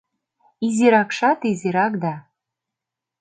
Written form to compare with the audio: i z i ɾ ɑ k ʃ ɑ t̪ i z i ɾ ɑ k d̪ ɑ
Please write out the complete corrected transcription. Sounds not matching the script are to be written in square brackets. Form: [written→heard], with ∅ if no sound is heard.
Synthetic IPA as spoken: i z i ɾ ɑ k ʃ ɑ t̪ i z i ɾ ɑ k d̪ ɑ